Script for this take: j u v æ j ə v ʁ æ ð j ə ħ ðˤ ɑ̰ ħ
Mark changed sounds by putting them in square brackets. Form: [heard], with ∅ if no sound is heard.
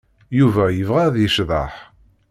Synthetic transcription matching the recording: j u v æ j ə v ʁ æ ð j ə [ʃ] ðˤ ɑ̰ ħ